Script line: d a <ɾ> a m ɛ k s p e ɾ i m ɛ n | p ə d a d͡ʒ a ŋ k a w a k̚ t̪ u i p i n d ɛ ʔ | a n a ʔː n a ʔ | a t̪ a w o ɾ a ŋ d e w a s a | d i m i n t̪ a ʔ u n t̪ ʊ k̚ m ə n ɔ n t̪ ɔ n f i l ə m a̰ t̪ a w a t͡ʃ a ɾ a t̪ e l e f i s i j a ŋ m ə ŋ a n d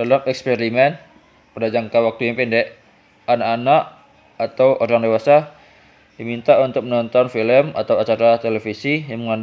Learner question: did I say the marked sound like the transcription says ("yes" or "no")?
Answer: no